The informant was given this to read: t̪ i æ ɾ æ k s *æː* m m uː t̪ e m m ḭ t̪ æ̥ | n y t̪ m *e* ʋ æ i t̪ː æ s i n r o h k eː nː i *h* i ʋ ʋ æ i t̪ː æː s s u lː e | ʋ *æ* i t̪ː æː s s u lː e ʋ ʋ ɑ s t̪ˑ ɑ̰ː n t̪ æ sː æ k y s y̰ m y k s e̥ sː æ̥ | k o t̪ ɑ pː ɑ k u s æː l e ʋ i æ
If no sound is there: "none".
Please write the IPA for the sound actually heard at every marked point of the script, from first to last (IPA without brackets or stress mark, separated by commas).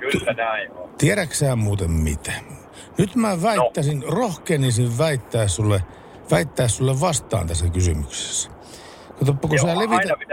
æː, æ, s, æ